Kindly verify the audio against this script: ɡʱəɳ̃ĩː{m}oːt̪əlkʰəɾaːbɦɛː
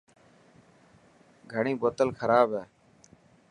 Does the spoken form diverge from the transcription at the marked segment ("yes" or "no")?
yes